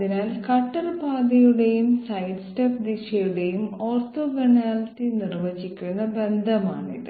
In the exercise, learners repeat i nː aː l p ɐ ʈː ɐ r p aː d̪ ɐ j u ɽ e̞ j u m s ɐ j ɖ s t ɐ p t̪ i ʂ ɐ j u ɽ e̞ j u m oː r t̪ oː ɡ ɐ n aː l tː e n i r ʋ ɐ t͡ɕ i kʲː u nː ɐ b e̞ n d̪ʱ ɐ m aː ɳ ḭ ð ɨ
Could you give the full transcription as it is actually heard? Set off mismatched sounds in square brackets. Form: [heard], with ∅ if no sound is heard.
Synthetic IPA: i [n] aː l [k] ɐ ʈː ɐ r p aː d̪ ɐ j u ɽ e̞ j u m s ɐ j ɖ s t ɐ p [d̪] i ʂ ɐ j u ɽ e̞ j u m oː r t̪ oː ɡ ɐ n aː l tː [i] n i r ʋ ɐ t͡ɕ i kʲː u nː ɐ b e̞ n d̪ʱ ɐ m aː ɳ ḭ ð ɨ